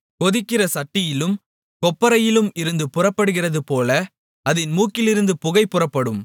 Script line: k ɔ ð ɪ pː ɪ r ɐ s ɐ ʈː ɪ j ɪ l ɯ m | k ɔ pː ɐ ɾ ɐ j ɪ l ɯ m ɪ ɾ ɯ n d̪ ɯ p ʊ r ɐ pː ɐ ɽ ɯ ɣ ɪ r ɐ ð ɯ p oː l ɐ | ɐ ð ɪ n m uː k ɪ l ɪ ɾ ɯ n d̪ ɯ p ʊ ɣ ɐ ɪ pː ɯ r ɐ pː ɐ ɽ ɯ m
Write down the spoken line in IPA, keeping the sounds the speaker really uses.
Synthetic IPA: k ɔ ð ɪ kː ɪ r ɐ s ɐ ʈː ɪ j ɪ l ɯ m | k ɔ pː ɐ ɾ ɐ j ɪ l ɯ m ɪ ɾ ɯ n d̪ ɯ p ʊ r ɐ pː ɐ ɽ ɯ ɣ ɪ r ɐ ð ɯ p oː l ɐ | ɐ ð ɪ n m uː k ɪ l ɪ ɾ ɯ n d̪ ɯ p ʊ ɣ ɐ ɪ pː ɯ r ɐ pː ɐ ɽ ɯ m